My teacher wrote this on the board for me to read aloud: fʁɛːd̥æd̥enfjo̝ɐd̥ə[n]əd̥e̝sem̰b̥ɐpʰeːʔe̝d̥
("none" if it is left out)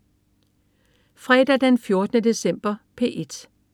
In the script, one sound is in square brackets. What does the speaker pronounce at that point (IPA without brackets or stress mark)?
n